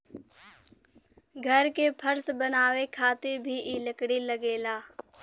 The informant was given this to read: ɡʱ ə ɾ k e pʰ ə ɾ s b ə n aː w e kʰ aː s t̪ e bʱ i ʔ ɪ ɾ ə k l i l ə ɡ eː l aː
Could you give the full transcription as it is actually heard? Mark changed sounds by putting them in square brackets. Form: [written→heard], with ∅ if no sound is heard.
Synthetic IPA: ɡʱ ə ɾ k e pʰ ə ɾ s b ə n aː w e kʰ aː [s→∅] t̪ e bʱ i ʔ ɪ [ɾ→l] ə k [l→ɽ] i l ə ɡ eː l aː